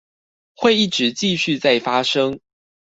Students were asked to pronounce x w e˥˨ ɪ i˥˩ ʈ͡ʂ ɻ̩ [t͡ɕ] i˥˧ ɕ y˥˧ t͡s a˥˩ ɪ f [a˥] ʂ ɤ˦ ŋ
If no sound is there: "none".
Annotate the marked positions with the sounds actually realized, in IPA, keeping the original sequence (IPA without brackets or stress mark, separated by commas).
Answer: t͡ɕ, a˥